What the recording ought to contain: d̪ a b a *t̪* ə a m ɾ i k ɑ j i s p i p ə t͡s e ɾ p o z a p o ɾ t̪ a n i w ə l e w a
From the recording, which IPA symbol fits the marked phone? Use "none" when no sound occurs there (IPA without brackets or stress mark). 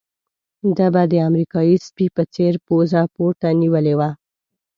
d̪